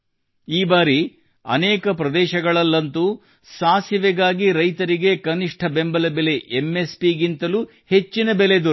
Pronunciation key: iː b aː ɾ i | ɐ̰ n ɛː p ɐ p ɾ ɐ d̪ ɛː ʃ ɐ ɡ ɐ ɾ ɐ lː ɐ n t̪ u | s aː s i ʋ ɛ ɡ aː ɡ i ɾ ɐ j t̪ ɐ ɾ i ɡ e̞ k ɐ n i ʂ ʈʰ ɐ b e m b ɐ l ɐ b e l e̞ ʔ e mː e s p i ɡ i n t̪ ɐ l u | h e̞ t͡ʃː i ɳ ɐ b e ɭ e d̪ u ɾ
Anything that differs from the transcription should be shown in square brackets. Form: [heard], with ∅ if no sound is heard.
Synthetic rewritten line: iː b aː ɾ i | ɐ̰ n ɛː [k] ɐ p ɾ ɐ d̪ ɛː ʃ ɐ ɡ ɐ [ɭ] ɐ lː ɐ n t̪ u | s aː s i ʋ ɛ ɡ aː ɡ i ɾ ɐ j t̪ ɐ ɾ i ɡ e̞ k ɐ n i ʂ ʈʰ ɐ b e m b ɐ l ɐ b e l e̞ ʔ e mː e s p i ɡ i n t̪ ɐ l u | h e̞ t͡ʃː i [n] ɐ b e [l] e d̪ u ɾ